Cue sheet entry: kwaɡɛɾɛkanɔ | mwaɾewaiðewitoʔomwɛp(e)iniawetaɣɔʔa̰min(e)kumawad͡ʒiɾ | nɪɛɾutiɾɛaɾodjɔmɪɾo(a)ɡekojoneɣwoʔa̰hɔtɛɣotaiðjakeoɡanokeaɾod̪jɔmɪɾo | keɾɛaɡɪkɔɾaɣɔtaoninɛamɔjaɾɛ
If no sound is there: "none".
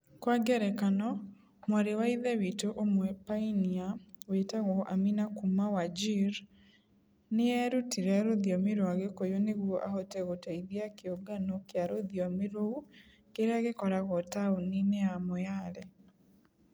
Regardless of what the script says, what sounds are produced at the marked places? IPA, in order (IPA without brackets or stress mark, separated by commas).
a, a, a